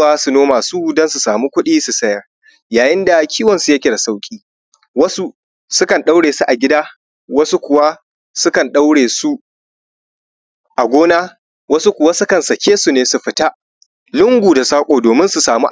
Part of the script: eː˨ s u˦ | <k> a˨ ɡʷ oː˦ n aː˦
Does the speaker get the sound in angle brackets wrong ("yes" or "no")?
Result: yes